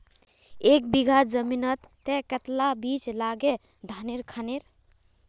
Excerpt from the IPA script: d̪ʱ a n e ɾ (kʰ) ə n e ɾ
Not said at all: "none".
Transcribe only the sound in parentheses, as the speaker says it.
kʰ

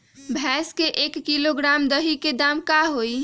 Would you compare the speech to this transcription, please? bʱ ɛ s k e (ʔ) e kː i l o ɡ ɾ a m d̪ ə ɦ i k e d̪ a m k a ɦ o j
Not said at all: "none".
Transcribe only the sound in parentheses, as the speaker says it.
ʔ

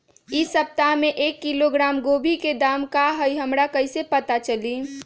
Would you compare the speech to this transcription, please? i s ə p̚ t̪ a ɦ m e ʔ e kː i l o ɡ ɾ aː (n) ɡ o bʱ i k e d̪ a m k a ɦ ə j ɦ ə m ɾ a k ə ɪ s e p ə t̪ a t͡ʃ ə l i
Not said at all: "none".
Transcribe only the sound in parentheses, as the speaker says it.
m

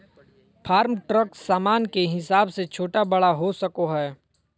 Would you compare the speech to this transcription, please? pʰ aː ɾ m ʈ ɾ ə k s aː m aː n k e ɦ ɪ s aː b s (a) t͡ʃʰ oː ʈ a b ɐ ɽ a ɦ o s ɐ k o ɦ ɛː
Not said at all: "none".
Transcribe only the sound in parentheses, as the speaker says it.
e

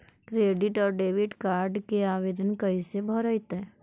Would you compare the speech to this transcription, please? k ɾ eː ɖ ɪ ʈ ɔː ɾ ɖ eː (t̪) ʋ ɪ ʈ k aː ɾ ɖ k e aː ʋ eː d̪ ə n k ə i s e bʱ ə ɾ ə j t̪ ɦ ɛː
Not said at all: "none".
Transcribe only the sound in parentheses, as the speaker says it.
none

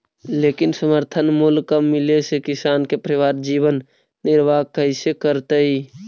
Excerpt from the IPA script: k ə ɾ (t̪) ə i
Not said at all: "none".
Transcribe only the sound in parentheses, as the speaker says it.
t̪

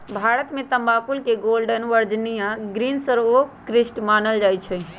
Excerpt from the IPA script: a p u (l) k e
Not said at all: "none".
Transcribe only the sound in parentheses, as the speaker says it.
l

